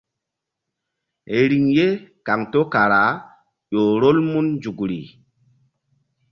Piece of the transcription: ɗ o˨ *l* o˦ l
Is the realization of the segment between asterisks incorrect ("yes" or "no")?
yes